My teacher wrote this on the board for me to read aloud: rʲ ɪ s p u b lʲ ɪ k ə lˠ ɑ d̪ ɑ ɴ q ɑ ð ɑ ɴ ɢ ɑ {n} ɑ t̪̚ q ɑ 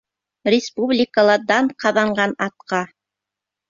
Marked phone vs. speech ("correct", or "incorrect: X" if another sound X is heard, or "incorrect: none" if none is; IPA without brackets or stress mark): correct